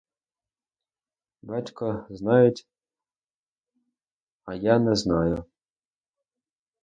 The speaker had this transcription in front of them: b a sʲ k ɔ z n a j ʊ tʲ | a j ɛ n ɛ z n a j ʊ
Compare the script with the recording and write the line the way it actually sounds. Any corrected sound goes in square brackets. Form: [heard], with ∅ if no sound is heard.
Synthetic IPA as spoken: b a [tʲ] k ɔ z n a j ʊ tʲ | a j [a] n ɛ z n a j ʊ